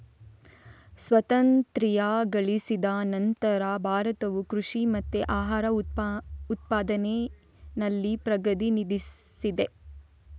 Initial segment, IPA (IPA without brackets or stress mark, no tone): s